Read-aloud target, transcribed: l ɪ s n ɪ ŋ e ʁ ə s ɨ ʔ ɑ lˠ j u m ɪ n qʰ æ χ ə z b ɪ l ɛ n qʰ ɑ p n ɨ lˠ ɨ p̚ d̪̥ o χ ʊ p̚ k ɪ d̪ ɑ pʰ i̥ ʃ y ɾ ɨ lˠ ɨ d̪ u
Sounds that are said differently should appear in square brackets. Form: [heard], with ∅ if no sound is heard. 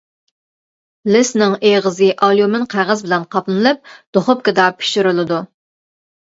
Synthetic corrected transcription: l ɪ s n ɪ ŋ e ʁ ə [z] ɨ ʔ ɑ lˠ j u m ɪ n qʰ æ [ʁ] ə z b ɪ l ɛ n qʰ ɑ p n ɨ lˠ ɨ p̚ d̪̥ o χ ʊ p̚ k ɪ d̪ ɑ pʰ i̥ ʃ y ɾ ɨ lˠ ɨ d̪ u